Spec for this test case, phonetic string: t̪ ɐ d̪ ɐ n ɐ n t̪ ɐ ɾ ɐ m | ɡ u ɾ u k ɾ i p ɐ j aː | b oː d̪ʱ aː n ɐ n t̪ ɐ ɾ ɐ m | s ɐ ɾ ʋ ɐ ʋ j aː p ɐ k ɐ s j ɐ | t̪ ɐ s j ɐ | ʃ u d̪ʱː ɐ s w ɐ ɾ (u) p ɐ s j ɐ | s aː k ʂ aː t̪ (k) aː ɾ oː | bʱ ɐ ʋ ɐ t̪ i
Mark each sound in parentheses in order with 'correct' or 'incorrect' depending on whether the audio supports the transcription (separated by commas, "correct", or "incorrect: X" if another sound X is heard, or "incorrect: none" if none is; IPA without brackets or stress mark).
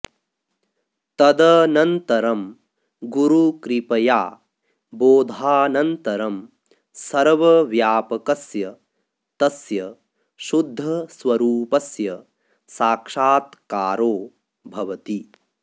incorrect: uː, correct